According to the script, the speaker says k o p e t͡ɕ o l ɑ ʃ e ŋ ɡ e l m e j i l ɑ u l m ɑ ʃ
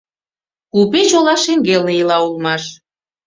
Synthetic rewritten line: k u p e t͡ɕ o l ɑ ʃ e ŋ ɡ e l n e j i l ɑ u l m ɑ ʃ